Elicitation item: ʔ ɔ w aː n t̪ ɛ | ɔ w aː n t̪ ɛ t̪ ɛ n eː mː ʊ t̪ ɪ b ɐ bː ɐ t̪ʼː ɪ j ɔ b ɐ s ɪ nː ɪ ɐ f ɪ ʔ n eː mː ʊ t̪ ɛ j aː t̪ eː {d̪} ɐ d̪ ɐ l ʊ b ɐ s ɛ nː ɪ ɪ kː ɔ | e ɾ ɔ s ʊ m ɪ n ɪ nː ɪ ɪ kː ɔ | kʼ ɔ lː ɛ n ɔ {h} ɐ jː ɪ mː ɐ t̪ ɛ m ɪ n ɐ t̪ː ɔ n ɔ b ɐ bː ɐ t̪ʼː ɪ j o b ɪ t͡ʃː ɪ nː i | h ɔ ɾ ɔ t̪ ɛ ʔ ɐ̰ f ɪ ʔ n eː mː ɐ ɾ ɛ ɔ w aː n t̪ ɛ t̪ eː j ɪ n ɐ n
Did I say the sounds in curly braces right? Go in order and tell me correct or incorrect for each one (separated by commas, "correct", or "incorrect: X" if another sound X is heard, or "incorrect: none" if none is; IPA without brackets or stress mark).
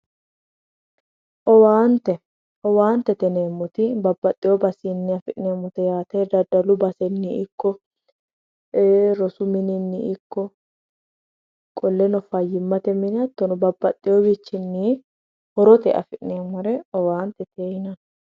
correct, incorrect: f